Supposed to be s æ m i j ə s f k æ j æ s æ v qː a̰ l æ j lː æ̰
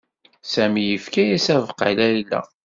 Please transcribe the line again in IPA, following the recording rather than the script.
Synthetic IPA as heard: s æ m i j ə f k æ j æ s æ v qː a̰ l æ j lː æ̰